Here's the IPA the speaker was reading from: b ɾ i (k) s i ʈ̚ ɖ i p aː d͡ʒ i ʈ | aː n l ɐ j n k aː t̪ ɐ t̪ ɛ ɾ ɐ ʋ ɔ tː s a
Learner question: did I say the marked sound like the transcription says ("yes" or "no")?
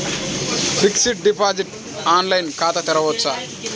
yes